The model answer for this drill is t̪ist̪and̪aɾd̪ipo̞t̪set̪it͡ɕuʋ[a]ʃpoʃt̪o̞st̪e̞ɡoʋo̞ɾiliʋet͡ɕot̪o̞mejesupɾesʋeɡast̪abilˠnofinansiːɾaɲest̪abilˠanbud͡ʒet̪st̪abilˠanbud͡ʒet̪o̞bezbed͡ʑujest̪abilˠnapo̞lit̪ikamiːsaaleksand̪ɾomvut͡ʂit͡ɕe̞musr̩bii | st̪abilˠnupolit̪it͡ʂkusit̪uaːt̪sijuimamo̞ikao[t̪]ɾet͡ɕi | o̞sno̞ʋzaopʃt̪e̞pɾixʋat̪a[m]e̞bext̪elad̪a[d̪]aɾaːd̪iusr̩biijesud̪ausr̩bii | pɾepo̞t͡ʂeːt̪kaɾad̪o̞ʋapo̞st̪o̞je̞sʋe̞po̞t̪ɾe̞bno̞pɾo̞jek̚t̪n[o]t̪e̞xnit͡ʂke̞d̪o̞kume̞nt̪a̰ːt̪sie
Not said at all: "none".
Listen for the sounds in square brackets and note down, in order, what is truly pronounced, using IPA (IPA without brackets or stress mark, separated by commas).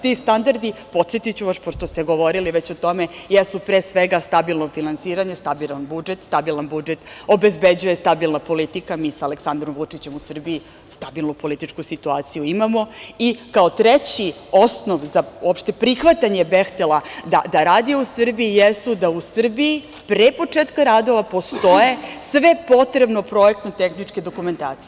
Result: a, t̪, ɲ, d̪, o